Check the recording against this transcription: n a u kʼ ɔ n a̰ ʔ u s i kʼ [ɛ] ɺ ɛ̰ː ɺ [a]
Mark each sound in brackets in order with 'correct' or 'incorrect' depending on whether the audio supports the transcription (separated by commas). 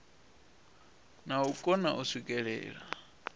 correct, correct